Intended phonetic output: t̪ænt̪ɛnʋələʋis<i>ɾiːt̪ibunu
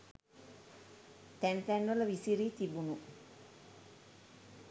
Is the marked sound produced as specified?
yes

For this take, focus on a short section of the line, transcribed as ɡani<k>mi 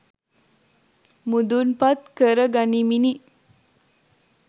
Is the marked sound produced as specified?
no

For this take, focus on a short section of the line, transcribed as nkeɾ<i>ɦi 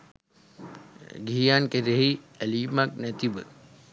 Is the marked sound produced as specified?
no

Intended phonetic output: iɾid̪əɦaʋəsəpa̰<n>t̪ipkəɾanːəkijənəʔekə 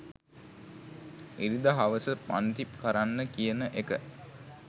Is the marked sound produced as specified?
yes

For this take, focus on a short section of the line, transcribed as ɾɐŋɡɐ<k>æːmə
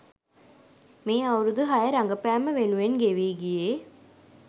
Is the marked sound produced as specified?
no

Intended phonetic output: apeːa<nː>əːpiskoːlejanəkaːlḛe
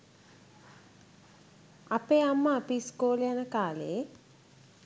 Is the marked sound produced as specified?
no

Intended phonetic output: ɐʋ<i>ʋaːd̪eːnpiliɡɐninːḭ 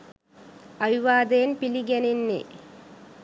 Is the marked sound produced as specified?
yes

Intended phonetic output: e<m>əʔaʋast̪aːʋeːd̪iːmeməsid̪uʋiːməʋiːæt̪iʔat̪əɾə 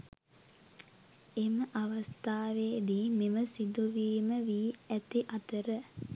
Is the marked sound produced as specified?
yes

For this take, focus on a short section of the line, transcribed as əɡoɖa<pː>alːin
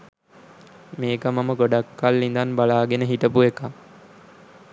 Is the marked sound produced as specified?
no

